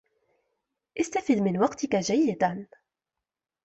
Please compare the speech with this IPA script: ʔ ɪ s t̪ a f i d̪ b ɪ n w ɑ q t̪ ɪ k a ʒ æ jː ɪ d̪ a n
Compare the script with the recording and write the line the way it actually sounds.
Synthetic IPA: ʔ ɪ s t̪ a f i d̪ m ɪ n w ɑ q t̪ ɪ k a ʒ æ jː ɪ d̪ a n